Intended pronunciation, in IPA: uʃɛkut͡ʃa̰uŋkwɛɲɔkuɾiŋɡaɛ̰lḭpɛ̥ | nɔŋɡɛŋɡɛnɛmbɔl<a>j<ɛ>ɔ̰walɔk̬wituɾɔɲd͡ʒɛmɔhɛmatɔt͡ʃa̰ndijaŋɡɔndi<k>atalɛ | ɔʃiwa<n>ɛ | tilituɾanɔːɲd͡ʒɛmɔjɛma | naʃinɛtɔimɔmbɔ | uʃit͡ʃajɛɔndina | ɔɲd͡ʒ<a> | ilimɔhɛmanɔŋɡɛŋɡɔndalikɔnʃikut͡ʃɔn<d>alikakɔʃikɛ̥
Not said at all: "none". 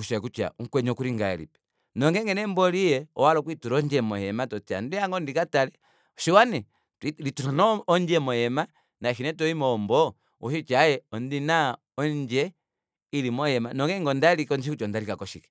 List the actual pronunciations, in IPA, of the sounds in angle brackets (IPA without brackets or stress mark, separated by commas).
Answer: i, ɛ, k, n, ɛ, d